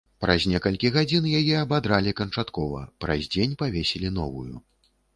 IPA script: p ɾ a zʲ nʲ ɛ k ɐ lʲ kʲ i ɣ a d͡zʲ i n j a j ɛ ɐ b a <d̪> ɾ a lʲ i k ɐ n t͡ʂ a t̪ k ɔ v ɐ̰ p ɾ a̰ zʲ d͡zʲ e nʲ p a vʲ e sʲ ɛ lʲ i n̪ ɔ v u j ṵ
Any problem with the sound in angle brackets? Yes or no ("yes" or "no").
no